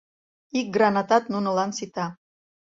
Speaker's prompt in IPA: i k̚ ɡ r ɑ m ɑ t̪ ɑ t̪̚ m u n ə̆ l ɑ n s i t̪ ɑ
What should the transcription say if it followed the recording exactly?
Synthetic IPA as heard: i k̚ ɡ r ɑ n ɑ t̪ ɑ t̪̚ n u n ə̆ l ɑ n s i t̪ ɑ